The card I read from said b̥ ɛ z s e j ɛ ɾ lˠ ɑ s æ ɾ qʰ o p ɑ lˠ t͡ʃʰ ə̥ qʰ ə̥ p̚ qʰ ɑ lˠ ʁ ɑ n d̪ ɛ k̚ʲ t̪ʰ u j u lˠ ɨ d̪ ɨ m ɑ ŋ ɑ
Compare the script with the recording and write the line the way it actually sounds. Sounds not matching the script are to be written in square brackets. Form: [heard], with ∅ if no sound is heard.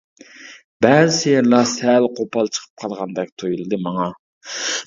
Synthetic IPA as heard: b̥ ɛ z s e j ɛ ɾ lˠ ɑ s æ [l] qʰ o p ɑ lˠ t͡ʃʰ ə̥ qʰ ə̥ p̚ qʰ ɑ lˠ ʁ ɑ n d̪ ɛ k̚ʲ t̪ʰ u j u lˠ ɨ d̪ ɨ m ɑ ŋ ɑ